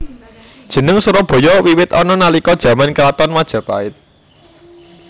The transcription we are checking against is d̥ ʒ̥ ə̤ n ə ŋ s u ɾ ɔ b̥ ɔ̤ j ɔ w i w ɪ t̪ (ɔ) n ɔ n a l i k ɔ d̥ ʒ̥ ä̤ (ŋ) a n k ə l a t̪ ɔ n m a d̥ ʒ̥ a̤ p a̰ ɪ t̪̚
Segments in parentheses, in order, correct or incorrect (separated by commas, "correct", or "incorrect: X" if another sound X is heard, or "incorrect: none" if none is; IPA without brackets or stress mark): correct, incorrect: m